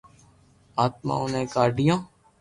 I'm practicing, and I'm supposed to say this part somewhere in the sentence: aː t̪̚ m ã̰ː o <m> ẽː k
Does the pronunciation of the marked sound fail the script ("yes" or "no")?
yes